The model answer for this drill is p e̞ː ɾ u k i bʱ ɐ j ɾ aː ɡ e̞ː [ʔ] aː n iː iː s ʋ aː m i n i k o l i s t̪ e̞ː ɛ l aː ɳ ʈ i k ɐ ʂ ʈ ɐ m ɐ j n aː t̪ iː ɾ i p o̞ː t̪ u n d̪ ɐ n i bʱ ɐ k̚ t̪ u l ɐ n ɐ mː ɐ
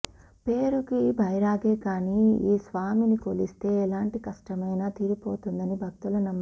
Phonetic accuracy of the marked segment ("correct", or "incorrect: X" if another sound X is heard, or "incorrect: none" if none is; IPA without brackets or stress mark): incorrect: k